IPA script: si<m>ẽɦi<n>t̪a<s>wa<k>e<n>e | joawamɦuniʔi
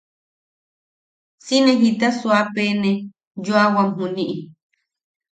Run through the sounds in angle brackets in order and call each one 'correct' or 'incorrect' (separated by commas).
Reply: incorrect, incorrect, correct, incorrect, correct